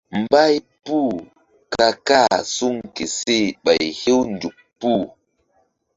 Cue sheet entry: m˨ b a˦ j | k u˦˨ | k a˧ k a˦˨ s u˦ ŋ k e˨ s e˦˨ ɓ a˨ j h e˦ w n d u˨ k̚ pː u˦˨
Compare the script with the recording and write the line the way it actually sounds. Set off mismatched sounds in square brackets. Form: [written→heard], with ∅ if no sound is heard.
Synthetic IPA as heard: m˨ b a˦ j | [k→p] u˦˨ | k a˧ k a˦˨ s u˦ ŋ k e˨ s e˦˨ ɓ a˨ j h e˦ w n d u˨ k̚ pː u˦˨